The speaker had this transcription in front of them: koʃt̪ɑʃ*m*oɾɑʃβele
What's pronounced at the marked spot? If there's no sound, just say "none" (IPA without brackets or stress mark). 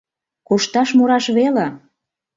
m